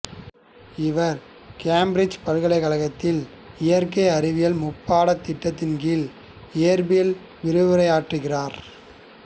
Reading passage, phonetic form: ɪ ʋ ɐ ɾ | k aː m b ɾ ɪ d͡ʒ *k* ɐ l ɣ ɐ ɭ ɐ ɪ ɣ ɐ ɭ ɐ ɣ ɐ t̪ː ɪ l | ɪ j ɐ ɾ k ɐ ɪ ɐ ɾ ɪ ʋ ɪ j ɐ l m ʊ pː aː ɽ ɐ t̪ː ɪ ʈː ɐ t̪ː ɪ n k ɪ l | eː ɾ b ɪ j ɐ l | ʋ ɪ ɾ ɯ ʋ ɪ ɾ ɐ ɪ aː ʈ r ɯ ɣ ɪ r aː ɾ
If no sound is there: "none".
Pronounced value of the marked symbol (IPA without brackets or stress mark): p